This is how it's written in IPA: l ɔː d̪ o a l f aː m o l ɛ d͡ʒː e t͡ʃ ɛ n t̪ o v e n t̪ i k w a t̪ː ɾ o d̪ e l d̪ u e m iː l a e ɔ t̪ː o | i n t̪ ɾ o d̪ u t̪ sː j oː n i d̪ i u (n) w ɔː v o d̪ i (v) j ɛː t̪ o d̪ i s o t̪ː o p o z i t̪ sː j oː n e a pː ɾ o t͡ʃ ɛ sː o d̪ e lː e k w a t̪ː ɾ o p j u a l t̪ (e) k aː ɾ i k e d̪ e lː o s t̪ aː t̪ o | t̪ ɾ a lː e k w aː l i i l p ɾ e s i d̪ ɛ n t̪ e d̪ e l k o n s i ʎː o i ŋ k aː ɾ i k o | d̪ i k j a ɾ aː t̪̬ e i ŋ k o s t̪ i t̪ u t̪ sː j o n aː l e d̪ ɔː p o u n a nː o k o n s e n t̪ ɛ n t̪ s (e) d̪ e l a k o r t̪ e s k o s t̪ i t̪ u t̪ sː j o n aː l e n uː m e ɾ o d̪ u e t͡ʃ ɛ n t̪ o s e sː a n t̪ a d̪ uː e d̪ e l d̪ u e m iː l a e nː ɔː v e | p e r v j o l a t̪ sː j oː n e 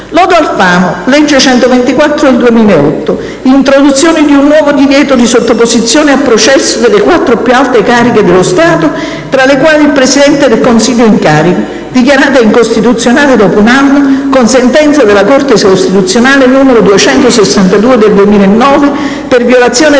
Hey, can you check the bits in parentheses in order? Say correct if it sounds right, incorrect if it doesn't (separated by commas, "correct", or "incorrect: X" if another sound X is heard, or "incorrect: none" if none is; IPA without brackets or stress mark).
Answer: incorrect: nː, correct, correct, incorrect: a